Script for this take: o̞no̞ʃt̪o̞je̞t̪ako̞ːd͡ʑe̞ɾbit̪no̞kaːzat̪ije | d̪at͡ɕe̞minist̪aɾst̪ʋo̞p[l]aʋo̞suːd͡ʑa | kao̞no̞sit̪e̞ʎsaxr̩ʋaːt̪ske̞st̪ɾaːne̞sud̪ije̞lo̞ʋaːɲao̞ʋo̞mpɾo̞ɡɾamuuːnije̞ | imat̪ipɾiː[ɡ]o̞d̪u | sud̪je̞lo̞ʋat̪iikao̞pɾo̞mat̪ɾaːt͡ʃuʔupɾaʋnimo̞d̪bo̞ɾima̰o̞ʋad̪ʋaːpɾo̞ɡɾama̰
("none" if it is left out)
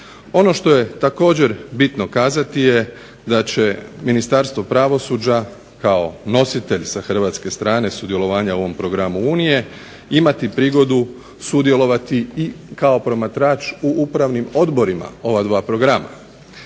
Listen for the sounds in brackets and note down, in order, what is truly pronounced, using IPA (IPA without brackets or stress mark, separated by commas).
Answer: ɾ, ɡ